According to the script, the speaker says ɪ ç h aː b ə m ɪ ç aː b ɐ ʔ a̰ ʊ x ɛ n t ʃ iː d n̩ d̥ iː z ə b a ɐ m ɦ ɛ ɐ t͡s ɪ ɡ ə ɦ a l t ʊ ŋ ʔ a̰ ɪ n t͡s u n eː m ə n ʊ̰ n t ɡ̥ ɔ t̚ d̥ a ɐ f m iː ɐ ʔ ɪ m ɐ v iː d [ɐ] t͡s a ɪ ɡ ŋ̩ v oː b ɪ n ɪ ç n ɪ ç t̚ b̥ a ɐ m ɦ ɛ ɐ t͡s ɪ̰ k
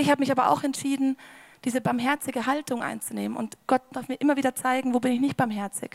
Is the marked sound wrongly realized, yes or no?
no